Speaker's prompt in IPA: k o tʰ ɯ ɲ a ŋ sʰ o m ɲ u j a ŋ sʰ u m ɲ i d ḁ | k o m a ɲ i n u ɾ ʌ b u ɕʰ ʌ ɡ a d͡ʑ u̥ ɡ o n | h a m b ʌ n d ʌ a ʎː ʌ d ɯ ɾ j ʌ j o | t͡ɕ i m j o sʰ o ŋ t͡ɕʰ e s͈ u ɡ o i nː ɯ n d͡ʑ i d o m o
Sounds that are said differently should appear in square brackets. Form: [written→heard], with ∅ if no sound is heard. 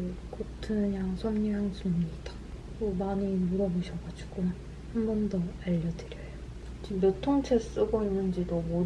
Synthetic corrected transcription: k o tʰ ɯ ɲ a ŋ sʰ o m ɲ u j a ŋ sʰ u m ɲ i d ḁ | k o m a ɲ i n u ɾ ʌ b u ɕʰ ʌ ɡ a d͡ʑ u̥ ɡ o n | h a m b ʌ n d ʌ a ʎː ʌ d ɯ ɾ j ʌ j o | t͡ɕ i m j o [sʰ→tʰ] o ŋ t͡ɕʰ e s͈ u ɡ o i nː ɯ n d͡ʑ i d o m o